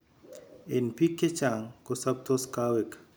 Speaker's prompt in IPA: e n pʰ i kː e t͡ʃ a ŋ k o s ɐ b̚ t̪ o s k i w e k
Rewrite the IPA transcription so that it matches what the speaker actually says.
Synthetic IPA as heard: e n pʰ i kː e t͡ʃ a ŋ k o s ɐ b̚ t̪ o s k a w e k